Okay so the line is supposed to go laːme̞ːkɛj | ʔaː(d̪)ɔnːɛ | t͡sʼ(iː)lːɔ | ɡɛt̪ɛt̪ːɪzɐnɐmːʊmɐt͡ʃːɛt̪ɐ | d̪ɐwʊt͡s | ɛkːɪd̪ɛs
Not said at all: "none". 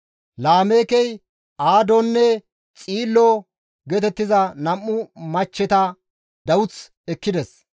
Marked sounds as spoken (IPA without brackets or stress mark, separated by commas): d̪, iː